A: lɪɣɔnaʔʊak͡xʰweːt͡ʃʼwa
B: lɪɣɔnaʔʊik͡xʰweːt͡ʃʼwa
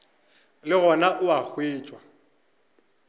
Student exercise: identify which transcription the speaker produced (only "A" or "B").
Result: A